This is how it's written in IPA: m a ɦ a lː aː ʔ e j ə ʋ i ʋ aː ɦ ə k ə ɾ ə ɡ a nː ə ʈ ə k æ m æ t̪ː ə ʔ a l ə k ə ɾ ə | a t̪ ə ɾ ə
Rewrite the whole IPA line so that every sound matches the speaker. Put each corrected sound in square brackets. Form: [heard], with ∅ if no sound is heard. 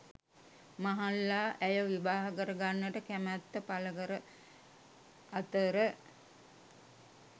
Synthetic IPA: m a ɦ a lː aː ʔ [æ] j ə ʋ i ʋ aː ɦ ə k ə ɾ ə ɡ a nː ə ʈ ə k æ m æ t̪ː ə [p] a l ə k ə ɾ ə | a t̪ ə ɾ ə